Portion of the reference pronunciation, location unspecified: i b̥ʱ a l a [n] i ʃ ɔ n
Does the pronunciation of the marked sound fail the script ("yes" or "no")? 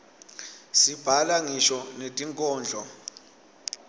yes